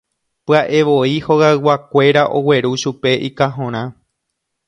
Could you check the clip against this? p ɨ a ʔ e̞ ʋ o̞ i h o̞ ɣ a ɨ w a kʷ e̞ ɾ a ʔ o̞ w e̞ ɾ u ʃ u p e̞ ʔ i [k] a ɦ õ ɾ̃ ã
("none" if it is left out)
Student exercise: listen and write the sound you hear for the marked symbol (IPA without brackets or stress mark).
k